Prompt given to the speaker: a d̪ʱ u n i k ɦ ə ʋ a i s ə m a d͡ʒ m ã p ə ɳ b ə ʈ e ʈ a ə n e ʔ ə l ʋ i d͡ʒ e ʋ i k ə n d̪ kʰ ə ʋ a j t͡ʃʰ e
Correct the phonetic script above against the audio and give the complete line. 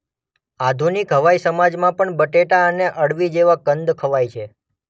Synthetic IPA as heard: a d̪ʱ u n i k ɦ ə ʋ a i s ə m a d͡ʒ m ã p ə ɳ b ə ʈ e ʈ a ə n e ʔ ə ɽ ʋ i d͡ʒ e ʋ a k ə n d̪ kʰ ə ʋ a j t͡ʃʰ e

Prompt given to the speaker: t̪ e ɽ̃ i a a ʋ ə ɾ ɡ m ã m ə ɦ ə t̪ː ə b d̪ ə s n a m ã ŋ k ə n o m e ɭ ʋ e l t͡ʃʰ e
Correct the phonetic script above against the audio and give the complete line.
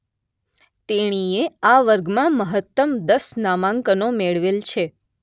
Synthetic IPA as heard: t̪ e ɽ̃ i e a ʋ ə ɾ ɡ m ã m ə ɦ ə t̪ː ə m d̪ ə s n a m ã ŋ k ə n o m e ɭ ʋ e l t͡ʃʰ e

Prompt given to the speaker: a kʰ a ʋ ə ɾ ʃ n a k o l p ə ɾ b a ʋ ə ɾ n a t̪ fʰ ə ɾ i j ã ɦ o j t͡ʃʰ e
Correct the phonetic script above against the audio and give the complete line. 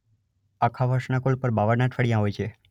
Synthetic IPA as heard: a kʰ a ʋ ə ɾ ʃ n a k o l p ə ɾ b a ʋ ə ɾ n a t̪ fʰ ə ɽ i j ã ɦ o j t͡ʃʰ e

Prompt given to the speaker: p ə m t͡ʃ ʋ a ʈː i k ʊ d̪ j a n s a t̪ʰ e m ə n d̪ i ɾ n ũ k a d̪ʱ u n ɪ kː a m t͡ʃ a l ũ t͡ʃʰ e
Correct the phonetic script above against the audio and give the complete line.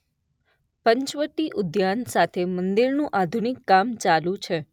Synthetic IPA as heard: p ə ɲ t͡ʃ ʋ ə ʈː i ʔ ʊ d̪ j a n s a t̪ʰ e m ə n d̪ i ɾ n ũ ʔ a d̪ʱ u n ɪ kː a m t͡ʃ a l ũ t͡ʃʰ e

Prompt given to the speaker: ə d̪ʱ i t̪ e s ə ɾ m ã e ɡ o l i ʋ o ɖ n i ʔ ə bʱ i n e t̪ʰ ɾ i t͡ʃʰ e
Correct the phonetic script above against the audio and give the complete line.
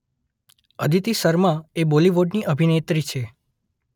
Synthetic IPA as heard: ə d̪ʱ i t̪ i s ə ɾ m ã e b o l i ʋ o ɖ n i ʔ ə bʱ i n e t̪ ɾ i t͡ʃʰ e

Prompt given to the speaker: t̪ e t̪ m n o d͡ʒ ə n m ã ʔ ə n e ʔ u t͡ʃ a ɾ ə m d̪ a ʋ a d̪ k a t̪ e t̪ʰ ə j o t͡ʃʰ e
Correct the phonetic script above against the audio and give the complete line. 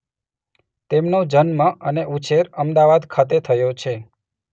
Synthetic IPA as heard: t̪ e m n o d͡ʒ ə n m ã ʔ ə n e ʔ u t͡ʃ e ɾ ə m d̪ a ʋ a d̪ kʰ a t̪ e t̪ʰ ə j o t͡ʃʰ e

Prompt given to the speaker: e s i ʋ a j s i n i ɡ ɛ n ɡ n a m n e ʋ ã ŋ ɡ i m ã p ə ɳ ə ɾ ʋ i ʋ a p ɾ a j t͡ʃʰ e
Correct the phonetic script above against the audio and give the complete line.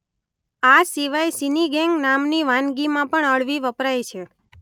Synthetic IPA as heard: a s i ʋ a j s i n i ɡ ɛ ŋ ɡ n a m n i ʋ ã n ɡ i m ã p ə ɳ ə ɭ ʋ i ʋ ə p ɾ a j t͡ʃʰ e

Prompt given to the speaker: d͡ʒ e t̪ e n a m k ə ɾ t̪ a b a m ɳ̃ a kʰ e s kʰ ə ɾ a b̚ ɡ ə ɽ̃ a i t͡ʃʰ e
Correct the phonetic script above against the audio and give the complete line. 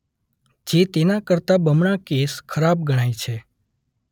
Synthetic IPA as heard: d͡ʒ e t̪ e n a k ə ɾ t̪ a b ə m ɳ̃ a k e s kʰ ə ɾ a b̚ ɡ ə ɽ̃ a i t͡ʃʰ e

